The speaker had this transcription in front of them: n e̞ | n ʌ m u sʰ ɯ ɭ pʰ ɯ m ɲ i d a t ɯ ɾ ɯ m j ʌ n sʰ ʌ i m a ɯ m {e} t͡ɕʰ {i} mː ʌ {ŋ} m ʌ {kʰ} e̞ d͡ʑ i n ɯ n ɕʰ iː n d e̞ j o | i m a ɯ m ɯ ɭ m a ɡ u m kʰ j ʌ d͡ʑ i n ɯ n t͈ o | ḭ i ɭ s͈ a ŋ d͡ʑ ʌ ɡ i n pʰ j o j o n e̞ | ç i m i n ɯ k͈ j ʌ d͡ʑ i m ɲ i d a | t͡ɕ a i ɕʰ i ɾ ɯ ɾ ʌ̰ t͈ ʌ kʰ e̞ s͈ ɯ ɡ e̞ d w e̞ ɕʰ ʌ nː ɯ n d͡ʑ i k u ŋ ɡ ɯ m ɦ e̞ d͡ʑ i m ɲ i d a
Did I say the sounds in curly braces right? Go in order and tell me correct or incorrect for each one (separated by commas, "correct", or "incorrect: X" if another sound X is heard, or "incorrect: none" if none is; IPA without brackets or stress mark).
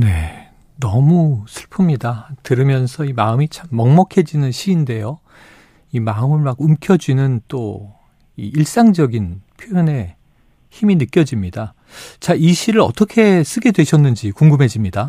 incorrect: i, incorrect: a, correct, correct